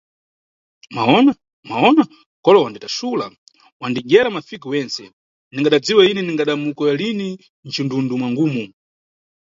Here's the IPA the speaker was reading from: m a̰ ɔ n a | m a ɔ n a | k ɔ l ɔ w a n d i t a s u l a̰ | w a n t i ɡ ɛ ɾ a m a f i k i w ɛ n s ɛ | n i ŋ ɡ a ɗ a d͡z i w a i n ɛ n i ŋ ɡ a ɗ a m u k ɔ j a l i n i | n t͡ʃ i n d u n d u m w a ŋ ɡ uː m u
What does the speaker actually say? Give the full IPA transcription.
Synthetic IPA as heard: m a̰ ɔ n a | m a ɔ n a | k ɔ l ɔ w a n d i t a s u l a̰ | w a n d i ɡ ɛ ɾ a m a f i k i w ɛ n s ɛ | n i ŋ ɡ a ɗ a d͡z i w a i n ɛ n i ŋ ɡ a ɗ a m u k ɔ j a l i n i | n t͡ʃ i n d u n d u m w a ŋ ɡ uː m u